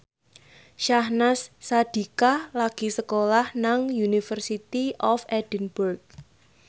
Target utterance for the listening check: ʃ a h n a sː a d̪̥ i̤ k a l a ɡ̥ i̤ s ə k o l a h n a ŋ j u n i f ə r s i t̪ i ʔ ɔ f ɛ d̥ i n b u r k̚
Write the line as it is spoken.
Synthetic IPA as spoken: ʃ a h n a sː a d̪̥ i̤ k a l a ɡ̥ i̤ s ə k o l a h n a ŋ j u n i f ə r s i t̪ i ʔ ɔ f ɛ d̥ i n b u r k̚